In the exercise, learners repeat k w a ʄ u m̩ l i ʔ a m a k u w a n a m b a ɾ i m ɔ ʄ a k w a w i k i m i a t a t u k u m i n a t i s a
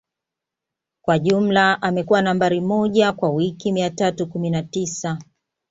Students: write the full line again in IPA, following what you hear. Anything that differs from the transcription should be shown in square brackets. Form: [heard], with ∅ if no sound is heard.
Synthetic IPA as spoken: k w a ʄ u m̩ l [a] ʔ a m [ɛ] k u w a n a m b a ɾ i m ɔ ʄ a k w a w i k i m i a t a t u k u m i n a t i s a